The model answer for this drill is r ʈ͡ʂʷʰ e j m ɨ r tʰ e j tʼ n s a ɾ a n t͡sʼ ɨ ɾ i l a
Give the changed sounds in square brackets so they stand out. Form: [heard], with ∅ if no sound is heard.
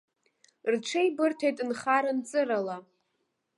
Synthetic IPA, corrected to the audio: r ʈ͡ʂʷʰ e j [b] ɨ r tʰ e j tʼ n [χ] a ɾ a n t͡sʼ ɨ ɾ [a] l a

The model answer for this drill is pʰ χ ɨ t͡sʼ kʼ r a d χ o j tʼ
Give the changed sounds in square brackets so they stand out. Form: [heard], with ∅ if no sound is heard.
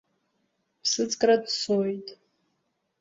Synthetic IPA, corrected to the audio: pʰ [s] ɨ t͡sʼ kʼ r a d [s] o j tʼ

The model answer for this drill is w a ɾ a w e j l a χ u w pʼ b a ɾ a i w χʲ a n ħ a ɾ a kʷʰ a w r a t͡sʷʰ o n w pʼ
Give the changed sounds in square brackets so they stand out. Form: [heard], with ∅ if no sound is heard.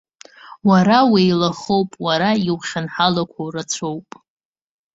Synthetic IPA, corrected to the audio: w a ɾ a w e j l a χ [o] w pʼ [w] a ɾ a i w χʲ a n ħ a [l] a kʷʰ a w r a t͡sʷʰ o [∅] w pʼ

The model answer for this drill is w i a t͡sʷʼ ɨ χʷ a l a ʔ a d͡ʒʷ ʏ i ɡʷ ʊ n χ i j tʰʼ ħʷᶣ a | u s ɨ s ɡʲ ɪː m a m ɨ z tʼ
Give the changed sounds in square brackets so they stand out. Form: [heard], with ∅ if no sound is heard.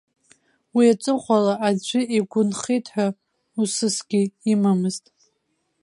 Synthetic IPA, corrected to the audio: w i a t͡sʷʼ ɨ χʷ a l a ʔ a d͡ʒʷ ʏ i ɡʷ ʊ n χ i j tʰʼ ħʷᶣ a | u s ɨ s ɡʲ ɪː m a m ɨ z tʼ

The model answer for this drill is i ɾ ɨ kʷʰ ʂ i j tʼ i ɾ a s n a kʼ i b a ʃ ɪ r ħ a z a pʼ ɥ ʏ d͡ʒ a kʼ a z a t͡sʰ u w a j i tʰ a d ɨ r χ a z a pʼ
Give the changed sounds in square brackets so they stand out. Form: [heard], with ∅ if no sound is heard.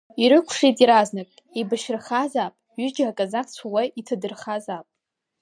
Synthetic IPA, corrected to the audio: i ɾ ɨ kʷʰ ʂ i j tʼ i ɾ a [z] n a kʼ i b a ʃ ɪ r [χ] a z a pʼ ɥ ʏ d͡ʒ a kʼ a z a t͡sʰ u w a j i tʰ a d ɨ r χ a z a pʼ

